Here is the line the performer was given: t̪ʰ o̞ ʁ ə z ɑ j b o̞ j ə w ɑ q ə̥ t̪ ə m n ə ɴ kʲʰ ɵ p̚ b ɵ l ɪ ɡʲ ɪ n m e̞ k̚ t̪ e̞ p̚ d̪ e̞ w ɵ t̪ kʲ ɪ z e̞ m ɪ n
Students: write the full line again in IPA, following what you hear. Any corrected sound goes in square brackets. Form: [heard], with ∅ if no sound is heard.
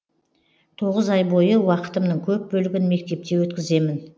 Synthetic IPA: t̪ʰ o̞ ʁ ə z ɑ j b o̞ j ə w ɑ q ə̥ t̪ ə m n ə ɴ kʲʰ ɵ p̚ b ɵ l ɪ ɡʲ ɪ n m e̞ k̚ t̪ e̞ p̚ [t̪] e̞ w ɵ t̪ kʲ ɪ z e̞ m ɪ n